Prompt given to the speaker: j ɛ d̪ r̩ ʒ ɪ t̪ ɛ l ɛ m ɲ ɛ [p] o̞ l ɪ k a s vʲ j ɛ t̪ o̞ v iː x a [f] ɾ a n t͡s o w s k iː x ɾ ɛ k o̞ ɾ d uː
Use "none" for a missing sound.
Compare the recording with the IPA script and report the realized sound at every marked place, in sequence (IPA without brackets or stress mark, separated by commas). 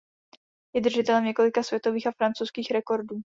k, f